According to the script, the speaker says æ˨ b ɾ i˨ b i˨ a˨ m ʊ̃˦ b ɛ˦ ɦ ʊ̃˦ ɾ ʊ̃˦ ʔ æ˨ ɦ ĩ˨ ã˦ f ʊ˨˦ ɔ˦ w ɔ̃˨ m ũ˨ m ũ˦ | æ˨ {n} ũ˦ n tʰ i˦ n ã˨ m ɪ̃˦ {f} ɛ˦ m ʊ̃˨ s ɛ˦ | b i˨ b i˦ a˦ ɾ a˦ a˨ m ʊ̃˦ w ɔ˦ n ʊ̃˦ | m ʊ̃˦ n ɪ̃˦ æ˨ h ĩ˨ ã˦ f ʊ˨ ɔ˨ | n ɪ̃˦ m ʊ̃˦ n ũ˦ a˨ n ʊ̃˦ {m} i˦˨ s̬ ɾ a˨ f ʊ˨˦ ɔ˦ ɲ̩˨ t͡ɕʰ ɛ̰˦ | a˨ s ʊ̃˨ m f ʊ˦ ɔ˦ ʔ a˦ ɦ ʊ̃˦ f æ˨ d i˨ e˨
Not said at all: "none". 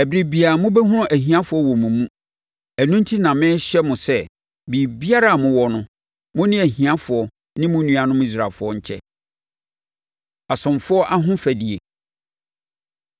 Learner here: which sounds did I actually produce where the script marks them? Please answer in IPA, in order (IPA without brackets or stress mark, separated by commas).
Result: n, ɕ, m